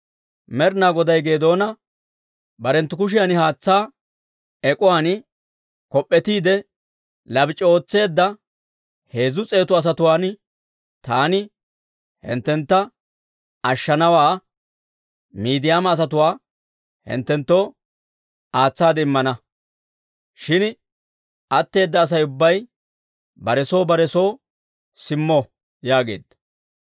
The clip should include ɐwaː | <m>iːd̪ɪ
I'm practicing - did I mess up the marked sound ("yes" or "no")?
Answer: no